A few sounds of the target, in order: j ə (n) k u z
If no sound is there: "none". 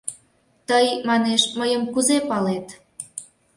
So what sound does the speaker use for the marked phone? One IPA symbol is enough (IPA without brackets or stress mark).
m